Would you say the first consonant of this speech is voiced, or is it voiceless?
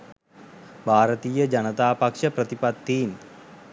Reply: voiced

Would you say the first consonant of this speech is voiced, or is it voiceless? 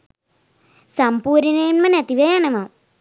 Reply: voiceless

